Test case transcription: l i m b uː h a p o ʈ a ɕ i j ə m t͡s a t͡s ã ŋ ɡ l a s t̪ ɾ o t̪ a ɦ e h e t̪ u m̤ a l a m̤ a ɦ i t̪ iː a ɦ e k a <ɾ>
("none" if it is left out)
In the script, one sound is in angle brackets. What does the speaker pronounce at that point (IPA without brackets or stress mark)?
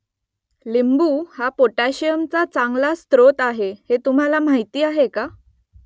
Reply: none